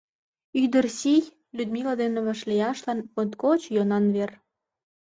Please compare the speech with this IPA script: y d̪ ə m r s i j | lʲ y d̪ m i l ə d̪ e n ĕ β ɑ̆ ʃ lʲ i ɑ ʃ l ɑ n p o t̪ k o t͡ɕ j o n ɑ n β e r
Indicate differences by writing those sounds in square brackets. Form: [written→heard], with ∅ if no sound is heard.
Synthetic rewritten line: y d̪ ə [m→∅] r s i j | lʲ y d̪ m i l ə d̪ e n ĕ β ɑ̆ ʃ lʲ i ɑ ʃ l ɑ n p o t̪ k o t͡ɕ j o n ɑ n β e r